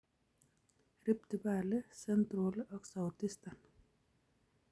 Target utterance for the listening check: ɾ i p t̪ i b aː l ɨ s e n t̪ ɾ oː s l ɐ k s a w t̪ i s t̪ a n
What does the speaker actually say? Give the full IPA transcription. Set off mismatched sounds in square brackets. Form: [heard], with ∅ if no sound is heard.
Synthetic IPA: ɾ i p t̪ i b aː l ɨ s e n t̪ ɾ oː [∅] l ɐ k s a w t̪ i s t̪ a n